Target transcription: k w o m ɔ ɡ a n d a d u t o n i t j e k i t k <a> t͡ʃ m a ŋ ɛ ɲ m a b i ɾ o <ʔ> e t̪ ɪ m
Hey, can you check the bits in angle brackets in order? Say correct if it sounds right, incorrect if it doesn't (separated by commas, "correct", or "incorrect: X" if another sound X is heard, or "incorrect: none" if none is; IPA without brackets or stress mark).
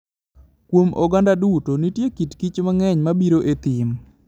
incorrect: i, correct